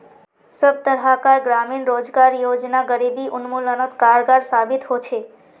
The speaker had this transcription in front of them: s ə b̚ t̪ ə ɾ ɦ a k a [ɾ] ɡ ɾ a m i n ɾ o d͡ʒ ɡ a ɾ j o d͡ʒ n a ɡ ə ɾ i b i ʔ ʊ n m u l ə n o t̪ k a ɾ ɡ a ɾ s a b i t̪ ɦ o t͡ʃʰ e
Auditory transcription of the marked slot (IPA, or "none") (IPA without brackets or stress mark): ɾ